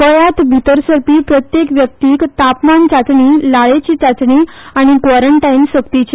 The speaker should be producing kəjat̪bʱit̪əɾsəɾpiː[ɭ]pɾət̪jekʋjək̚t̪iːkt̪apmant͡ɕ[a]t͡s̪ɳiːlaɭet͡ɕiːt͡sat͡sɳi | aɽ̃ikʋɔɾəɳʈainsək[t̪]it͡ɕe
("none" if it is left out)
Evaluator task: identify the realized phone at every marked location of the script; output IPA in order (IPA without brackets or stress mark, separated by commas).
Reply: none, a, t̪